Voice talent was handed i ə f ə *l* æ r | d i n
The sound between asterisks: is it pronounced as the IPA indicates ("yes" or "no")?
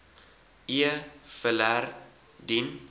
yes